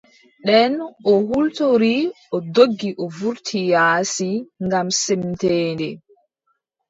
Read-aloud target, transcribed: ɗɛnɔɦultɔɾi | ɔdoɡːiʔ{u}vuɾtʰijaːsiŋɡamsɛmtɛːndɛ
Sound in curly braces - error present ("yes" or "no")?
yes